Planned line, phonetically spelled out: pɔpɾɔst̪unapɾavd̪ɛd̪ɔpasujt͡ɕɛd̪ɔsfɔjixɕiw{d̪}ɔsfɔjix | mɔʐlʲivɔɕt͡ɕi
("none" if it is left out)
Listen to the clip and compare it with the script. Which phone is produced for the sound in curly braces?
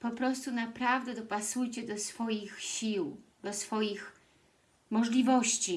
d̪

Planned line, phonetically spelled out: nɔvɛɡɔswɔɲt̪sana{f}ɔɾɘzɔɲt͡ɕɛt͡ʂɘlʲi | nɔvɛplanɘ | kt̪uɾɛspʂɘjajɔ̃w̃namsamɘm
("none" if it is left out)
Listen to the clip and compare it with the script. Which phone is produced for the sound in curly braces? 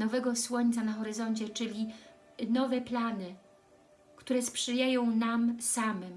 x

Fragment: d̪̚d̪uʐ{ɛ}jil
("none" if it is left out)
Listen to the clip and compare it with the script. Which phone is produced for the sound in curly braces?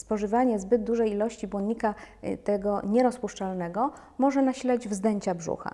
ɛ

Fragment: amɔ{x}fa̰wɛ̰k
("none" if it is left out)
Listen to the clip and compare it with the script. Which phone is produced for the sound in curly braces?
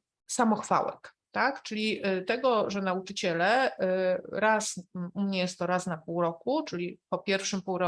x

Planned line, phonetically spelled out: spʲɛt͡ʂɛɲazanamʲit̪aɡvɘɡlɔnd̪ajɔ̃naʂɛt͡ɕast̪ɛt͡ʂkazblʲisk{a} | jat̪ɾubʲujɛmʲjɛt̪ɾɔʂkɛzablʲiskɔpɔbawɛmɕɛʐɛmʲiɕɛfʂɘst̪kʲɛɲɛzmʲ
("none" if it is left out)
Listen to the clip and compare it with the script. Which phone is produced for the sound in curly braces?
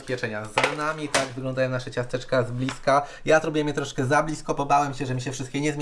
a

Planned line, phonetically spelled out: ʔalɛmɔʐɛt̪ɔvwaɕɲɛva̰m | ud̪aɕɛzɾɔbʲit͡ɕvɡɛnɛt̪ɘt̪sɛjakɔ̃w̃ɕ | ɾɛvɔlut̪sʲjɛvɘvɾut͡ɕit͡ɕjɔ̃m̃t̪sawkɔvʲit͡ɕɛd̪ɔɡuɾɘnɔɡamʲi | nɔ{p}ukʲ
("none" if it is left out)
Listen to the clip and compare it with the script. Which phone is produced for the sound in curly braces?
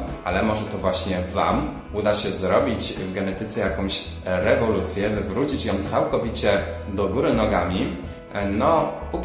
p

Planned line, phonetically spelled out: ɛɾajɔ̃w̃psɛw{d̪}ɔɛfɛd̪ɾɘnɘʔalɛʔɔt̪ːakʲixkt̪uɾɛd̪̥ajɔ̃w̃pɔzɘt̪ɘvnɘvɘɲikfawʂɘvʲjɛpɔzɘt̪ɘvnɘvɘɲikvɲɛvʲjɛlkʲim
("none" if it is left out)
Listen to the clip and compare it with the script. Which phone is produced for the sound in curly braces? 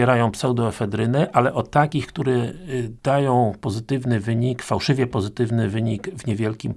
d̪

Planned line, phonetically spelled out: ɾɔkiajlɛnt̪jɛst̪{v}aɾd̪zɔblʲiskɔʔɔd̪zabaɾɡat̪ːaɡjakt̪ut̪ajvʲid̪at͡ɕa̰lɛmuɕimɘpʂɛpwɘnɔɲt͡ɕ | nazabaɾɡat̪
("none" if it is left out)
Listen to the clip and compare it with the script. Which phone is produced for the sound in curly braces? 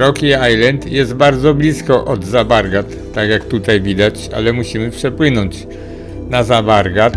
b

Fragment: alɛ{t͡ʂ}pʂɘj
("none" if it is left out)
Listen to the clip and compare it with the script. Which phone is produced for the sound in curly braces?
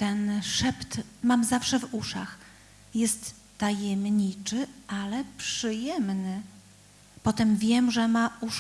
none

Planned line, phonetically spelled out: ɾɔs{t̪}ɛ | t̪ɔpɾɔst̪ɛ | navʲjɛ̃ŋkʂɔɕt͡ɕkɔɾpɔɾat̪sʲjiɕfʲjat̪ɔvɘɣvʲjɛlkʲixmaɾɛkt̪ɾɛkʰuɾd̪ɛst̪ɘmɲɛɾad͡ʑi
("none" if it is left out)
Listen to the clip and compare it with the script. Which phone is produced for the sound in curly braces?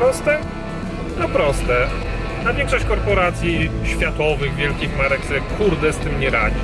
t̪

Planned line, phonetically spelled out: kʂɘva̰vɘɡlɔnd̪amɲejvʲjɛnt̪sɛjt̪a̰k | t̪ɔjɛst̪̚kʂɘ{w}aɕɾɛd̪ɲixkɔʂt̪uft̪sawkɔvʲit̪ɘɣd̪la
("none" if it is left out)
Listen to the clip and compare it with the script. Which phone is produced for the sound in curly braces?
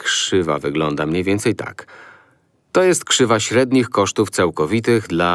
v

